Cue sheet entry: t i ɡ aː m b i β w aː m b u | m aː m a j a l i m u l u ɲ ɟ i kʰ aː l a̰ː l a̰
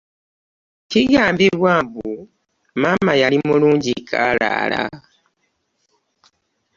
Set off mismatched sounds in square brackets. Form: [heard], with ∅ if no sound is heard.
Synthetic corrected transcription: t i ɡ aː m b i β w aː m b u | m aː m a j a l i m u l [uː] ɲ ɟ i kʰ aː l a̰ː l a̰